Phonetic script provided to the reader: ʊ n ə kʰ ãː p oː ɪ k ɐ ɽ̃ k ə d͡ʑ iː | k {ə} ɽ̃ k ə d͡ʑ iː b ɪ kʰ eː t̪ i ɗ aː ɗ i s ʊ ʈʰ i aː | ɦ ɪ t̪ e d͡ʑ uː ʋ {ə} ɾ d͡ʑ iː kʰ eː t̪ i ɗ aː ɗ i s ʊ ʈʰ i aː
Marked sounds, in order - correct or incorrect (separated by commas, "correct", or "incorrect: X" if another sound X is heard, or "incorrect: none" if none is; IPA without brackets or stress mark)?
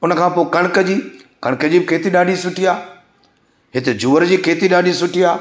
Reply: incorrect: ɐ, correct